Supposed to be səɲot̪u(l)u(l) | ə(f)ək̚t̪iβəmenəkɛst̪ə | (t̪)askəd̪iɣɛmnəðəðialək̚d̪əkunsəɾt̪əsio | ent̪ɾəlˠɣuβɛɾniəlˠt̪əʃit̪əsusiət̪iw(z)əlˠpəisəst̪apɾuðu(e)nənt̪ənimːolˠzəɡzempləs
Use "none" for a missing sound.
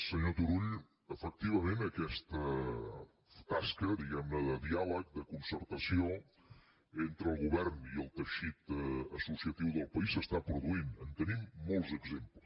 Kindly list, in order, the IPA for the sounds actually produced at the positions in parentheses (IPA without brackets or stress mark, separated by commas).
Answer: ɾ, ʎ, f, t̪, ð, i